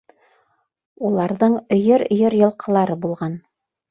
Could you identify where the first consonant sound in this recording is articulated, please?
alveolar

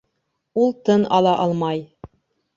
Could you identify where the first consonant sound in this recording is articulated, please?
alveolar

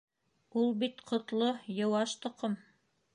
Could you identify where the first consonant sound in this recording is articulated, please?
alveolar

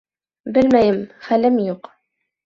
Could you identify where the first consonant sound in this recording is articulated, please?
labial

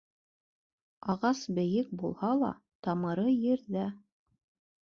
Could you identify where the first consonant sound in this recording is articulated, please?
uvular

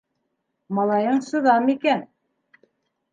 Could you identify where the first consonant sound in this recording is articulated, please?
labial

